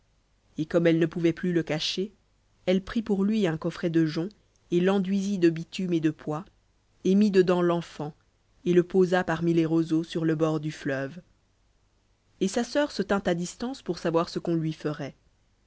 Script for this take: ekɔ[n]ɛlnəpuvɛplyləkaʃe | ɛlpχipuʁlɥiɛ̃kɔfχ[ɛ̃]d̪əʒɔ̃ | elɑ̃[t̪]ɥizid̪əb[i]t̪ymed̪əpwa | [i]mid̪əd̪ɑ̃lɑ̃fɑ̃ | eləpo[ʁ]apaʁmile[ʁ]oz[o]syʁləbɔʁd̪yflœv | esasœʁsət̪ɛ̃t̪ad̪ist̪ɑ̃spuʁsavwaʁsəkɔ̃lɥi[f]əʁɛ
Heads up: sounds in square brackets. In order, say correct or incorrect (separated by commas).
incorrect, incorrect, incorrect, correct, incorrect, incorrect, correct, correct, correct